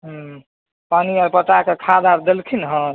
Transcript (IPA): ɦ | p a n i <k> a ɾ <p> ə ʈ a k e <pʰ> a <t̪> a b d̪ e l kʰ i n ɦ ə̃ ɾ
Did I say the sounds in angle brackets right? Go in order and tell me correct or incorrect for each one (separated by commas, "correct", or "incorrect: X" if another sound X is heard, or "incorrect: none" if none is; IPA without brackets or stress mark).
incorrect: none, correct, incorrect: kʰ, incorrect: d̪